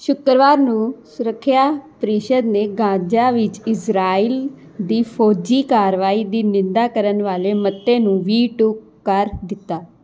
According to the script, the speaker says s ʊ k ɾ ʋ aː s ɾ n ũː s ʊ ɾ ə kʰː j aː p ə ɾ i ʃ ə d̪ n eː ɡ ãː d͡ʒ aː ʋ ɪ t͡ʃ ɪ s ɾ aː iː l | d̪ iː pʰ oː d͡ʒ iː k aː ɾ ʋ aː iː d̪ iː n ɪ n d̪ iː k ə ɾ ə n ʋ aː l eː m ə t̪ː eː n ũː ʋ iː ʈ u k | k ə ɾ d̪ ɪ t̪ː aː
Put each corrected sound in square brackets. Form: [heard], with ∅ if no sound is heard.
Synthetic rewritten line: [ʃ] ʊ k ɾ ʋ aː [∅] ɾ n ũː s ʊ ɾ ə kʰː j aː p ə ɾ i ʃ ə d̪ n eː ɡ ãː d͡ʒ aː ʋ ɪ t͡ʃ ɪ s ɾ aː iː l | d̪ iː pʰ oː d͡ʒ iː k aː ɾ ʋ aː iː d̪ iː n ɪ n d̪ [aː] k ə ɾ ə n ʋ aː l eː m ə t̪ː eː n ũː ʋ iː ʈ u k | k ə ɾ d̪ ɪ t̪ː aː

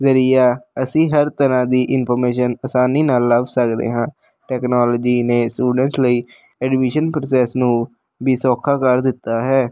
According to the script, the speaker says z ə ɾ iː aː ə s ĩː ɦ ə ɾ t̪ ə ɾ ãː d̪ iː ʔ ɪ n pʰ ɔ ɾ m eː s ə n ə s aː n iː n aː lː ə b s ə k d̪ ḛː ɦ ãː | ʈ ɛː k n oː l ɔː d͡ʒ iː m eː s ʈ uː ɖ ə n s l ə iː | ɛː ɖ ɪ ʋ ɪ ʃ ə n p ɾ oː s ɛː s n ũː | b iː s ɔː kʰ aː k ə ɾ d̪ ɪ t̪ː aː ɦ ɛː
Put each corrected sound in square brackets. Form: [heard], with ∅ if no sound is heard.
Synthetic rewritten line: z ə ɾ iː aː ə s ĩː ɦ ə ɾ t̪ ə ɾ ãː d̪ iː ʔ ɪ n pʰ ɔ ɾ m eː [ʃ] ə n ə s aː n iː n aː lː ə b s ə k d̪ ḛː ɦ ãː | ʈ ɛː k n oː l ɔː d͡ʒ iː [n] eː s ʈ uː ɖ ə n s l ə iː | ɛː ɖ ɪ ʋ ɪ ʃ ə n p ɾ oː s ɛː s n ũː | b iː s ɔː kʰ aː k ə ɾ d̪ ɪ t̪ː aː ɦ ɛː

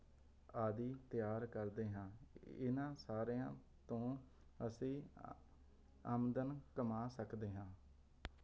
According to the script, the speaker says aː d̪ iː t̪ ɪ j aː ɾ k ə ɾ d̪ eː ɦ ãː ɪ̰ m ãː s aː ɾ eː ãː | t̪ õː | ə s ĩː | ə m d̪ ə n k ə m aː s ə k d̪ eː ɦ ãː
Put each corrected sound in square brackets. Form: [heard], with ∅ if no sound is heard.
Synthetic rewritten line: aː d̪ iː t̪ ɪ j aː ɾ k ə ɾ d̪ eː ɦ ãː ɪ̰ [n] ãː s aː ɾ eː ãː | t̪ õː | ə s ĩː | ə m d̪ ə n k ə m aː s ə k d̪ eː ɦ ãː

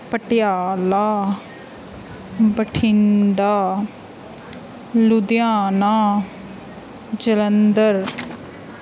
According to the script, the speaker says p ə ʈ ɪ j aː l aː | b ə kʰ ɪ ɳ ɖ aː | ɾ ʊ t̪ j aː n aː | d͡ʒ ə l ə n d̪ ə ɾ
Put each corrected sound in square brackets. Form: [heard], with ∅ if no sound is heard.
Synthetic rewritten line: p ə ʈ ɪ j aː l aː | b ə [ʈʰ] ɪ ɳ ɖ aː | [l] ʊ [d̪] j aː n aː | d͡ʒ ə l ə n d̪ ə ɾ

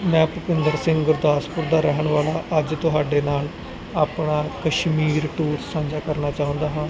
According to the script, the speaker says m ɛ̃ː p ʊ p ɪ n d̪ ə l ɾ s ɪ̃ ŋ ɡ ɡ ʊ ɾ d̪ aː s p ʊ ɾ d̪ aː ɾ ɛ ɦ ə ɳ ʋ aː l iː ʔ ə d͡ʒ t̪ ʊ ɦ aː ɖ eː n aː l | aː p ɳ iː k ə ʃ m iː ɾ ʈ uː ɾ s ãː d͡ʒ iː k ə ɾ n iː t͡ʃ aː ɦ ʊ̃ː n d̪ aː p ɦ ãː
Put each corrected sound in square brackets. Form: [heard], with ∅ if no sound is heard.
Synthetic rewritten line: m ɛ̃ː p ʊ p ɪ n d̪ ə [∅] ɾ s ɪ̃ ŋ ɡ ɡ ʊ ɾ d̪ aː s p ʊ ɾ d̪ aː ɾ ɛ ɦ ə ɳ ʋ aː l [aː] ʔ ə d͡ʒ t̪ ʊ ɦ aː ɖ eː n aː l | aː p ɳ [aː] k ə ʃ m iː ɾ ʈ uː ɾ s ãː d͡ʒ [aː] k ə ɾ n [aː] t͡ʃ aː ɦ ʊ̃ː n d̪ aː [∅] ɦ ãː

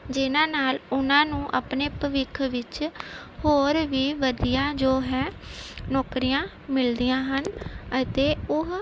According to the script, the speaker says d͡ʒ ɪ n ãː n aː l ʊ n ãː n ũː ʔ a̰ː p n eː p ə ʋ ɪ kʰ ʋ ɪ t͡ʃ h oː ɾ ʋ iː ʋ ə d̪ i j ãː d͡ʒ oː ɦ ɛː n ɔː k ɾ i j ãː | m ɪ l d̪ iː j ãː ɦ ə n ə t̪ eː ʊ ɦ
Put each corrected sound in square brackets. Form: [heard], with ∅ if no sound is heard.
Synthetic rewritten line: d͡ʒ ɪ n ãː n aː l ʊ n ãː n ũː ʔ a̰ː p n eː p ə ʋ ɪ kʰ ʋ ɪ t͡ʃ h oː ɾ ʋ iː ʋ ə d̪ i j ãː d͡ʒ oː ɦ ɛː n ɔː k ɾ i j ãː | m ɪ l d̪ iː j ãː ɦ ə n ə t̪ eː ʊ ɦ

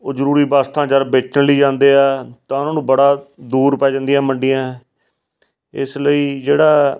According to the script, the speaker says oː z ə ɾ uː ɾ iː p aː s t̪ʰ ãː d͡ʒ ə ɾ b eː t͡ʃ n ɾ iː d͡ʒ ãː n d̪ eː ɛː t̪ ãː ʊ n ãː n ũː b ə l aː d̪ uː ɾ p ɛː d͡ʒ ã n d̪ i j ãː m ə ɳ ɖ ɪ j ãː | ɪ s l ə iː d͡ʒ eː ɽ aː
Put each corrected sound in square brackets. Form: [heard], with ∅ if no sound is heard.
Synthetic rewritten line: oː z ə ɾ uː ɾ iː [b] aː s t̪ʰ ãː d͡ʒ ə ɾ b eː t͡ʃ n [l] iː d͡ʒ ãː n d̪ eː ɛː t̪ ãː ʊ n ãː n ũː b ə [ɽ] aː d̪ uː ɾ p ɛː d͡ʒ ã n d̪ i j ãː m ə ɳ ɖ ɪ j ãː | ɪ s l ə iː d͡ʒ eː ɽ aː

